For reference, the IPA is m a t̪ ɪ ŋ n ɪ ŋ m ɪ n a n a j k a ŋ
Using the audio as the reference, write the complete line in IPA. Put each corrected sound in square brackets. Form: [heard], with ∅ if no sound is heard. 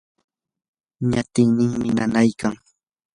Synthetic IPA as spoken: [ɲ] a t̪ ɪ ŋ n ɪ ŋ m ɪ n a n a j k a ŋ